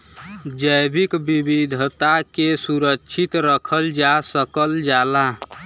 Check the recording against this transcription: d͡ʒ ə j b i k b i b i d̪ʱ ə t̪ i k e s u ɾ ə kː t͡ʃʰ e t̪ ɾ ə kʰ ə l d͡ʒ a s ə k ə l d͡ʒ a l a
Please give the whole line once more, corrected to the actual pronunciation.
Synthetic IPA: d͡ʒ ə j b i k b i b i d̪ʱ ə t̪ a k e s u ɾ ə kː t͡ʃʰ i t̪ ɾ ə kʰ ə l d͡ʒ a s ə k ə l d͡ʒ a l a